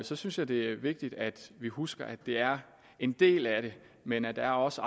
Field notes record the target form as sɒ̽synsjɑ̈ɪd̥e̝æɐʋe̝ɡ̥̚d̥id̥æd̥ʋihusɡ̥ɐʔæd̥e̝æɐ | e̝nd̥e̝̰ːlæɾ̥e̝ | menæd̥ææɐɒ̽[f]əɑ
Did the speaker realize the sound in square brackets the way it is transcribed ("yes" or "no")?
no